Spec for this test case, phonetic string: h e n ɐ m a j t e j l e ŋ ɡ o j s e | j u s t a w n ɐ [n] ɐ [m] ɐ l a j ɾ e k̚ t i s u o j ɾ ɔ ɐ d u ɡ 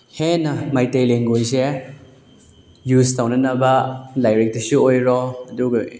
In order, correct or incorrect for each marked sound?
correct, incorrect: b

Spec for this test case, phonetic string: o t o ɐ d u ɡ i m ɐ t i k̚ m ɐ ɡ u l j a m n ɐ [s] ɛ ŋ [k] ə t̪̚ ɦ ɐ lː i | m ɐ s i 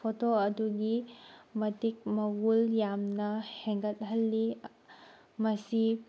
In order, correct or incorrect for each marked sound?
incorrect: h, incorrect: ɡ

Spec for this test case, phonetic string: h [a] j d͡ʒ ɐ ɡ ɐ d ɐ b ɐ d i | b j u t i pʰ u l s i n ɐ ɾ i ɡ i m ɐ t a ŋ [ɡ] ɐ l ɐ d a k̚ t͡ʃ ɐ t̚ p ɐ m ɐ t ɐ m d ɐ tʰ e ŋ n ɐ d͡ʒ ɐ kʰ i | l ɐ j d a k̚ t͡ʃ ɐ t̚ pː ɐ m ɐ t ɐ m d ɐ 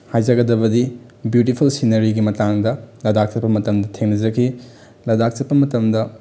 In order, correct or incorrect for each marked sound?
correct, incorrect: d

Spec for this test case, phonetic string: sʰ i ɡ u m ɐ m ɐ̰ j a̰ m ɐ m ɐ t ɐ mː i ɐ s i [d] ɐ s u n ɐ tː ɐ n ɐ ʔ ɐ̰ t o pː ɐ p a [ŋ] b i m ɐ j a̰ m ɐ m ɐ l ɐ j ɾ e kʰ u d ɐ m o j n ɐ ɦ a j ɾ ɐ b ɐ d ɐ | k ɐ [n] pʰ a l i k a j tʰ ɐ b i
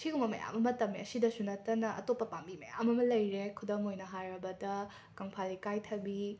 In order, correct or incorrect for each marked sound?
correct, incorrect: m, incorrect: ŋ

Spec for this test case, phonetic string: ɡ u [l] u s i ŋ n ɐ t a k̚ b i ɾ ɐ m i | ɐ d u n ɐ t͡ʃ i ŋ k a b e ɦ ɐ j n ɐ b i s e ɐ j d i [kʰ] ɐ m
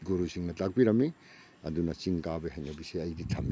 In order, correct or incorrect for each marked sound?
incorrect: ɾ, incorrect: tʰ

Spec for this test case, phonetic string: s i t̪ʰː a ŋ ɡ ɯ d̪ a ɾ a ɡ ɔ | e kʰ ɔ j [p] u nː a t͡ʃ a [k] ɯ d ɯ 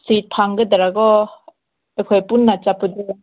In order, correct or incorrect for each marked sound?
correct, incorrect: p

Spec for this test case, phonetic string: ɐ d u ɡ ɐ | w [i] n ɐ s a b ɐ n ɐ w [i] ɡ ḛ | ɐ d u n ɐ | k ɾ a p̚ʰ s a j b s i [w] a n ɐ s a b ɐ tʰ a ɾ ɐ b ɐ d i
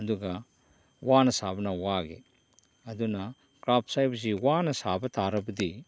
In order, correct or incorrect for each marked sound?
incorrect: a, incorrect: a, correct

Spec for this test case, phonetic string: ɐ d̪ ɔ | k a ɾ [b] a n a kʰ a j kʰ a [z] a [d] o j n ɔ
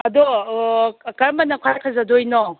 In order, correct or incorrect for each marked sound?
incorrect: m, correct, correct

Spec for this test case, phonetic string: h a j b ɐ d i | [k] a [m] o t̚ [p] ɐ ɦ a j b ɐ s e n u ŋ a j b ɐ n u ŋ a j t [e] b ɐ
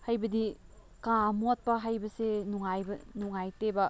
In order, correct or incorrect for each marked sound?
correct, correct, correct, correct

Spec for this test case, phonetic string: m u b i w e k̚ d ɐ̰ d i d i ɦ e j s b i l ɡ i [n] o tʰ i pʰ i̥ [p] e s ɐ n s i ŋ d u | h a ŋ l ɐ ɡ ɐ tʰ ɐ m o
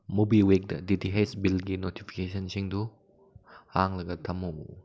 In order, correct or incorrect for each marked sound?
correct, incorrect: k

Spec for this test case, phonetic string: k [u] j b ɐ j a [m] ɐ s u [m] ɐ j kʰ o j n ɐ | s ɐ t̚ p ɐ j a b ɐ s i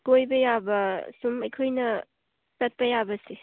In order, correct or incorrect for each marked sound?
incorrect: o, incorrect: b, correct

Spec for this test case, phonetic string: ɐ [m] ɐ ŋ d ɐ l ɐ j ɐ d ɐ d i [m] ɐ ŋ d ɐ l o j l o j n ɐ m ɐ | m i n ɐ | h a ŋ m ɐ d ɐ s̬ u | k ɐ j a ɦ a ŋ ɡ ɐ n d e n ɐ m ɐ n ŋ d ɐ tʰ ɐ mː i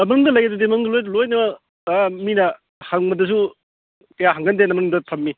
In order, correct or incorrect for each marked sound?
correct, correct

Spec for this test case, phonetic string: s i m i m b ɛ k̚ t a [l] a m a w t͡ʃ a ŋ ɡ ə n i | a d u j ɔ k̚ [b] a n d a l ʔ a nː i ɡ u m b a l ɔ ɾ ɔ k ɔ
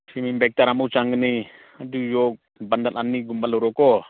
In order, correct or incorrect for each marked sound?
incorrect: ɾ, correct

